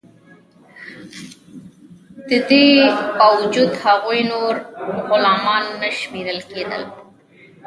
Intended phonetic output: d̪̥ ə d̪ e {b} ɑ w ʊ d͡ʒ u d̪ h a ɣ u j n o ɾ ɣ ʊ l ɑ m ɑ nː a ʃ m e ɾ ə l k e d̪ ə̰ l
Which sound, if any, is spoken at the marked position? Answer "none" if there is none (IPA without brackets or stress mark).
b